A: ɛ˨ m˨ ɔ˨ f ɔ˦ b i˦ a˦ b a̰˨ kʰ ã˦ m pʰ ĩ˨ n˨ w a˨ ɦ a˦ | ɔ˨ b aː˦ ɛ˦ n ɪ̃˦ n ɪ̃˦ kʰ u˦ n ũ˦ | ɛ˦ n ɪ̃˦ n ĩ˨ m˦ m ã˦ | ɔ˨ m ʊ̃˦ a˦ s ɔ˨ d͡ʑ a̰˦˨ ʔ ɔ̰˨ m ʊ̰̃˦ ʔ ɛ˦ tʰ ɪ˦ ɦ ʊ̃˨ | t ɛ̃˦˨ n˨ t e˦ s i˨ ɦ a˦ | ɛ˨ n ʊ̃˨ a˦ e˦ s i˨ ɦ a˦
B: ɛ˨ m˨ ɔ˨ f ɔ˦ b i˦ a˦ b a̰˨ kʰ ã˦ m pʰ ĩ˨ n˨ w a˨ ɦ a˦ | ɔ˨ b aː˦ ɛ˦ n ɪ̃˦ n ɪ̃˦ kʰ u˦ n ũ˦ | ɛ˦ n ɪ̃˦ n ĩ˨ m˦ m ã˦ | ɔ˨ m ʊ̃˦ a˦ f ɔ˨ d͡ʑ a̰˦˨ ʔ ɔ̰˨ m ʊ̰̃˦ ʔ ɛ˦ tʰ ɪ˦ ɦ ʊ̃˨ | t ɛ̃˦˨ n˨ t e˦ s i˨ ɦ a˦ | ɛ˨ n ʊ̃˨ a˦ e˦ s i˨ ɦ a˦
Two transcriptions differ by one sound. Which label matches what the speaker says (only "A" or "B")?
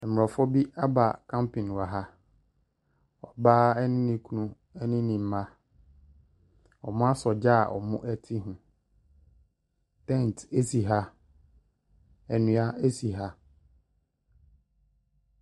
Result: A